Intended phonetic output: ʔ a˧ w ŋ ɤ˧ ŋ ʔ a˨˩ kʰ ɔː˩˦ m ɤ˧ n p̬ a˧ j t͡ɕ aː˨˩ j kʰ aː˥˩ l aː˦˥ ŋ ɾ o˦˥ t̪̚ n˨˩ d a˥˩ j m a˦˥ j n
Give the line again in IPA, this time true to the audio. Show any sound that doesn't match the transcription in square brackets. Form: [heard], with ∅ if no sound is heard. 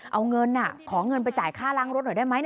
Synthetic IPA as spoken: ʔ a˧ w ŋ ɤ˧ [n] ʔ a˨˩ kʰ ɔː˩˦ [ŋ] ɤ˧ n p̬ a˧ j t͡ɕ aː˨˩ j kʰ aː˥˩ l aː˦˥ ŋ ɾ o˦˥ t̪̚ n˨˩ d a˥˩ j m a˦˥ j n